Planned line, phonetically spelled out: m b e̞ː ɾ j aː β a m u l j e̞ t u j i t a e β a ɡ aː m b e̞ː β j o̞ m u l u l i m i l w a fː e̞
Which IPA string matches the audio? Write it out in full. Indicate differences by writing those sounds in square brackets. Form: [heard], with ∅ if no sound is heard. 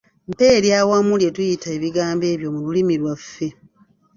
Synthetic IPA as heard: m [p] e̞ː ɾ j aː [w] a m u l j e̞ t u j i t a e β [i] ɡ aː m b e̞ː β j o̞ m u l u l i m i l w a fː e̞